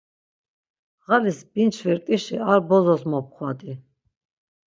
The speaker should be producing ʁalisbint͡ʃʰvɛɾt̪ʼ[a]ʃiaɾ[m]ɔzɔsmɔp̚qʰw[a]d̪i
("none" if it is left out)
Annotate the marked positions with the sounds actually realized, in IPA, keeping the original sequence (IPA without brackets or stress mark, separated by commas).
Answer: i, b, a